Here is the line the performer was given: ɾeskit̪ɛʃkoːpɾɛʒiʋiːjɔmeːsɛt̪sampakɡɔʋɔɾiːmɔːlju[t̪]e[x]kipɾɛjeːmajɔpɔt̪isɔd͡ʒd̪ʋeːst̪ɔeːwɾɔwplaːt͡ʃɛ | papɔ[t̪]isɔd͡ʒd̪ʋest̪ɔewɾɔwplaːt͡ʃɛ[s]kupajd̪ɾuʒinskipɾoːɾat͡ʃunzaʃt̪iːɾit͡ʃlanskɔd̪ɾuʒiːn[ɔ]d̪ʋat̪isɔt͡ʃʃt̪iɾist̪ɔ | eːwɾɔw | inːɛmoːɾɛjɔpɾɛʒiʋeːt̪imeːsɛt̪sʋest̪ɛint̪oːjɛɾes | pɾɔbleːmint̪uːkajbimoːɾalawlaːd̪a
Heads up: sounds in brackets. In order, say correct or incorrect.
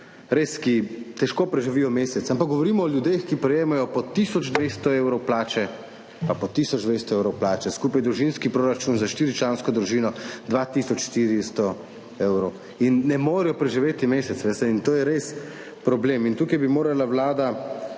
incorrect: d̪, correct, correct, correct, correct

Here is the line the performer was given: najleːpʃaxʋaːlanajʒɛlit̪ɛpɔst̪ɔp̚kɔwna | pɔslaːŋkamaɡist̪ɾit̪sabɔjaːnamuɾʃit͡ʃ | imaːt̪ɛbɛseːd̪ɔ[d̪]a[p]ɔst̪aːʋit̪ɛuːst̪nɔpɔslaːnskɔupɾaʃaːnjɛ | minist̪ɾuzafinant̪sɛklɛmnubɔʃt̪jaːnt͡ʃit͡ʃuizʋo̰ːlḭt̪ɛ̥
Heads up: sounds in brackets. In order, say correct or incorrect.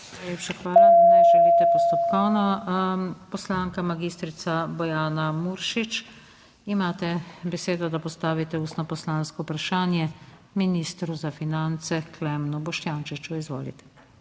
correct, correct

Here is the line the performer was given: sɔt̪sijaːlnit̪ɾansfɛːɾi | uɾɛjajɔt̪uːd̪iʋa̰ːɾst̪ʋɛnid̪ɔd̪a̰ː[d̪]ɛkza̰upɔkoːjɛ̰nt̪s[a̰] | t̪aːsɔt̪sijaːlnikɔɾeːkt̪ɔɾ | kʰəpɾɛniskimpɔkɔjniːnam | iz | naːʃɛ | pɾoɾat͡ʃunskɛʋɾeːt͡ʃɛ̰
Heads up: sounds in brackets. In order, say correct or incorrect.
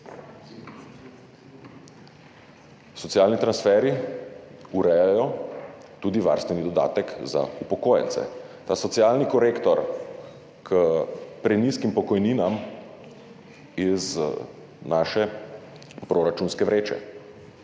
incorrect: t̪, incorrect: ɛ̰

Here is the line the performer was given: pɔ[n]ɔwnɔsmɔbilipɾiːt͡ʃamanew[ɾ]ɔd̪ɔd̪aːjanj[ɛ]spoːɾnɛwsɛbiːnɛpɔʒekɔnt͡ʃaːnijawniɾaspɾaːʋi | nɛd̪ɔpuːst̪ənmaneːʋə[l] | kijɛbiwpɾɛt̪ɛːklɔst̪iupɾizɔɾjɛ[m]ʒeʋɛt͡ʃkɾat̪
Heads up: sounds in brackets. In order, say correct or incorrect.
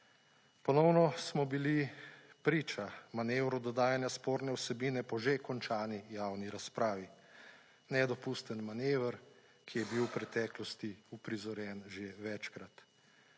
correct, correct, incorrect: a, incorrect: ɾ, incorrect: n

